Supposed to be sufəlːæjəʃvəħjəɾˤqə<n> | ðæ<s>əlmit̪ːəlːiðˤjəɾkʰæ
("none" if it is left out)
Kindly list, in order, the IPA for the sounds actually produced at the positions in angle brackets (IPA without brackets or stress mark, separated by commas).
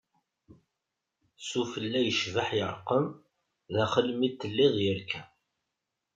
m, χ